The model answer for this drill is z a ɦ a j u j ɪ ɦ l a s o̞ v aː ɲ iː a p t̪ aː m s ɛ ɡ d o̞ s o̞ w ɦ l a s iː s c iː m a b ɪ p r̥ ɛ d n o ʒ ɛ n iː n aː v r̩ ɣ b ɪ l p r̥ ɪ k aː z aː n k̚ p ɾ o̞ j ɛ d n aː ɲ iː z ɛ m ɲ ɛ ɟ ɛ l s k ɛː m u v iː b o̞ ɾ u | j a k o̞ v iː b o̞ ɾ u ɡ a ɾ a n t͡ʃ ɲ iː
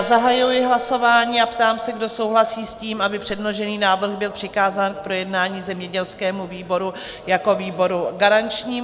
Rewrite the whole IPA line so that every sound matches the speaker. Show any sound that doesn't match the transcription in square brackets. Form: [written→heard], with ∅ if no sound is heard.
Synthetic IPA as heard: z a ɦ a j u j ɪ ɦ l a s o̞ v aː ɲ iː a p t̪ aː m s ɛ ɡ d o̞ s o̞ w ɦ l a s iː s c iː m a b ɪ p r̥ ɛ d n o ʒ ɛ n iː n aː v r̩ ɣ b ɪ l p r̥ ɪ k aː z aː n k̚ p ɾ o̞ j ɛ d n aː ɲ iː z ɛ m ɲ ɛ ɟ ɛ l s k ɛː m u v iː b o̞ ɾ u | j a k o̞ v iː b o̞ ɾ u ɡ a ɾ a n t͡ʃ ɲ iː